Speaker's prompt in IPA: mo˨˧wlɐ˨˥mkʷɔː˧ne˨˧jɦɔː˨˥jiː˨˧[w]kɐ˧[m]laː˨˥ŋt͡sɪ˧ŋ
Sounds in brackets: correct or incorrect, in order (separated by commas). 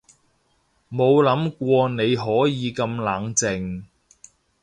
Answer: incorrect, correct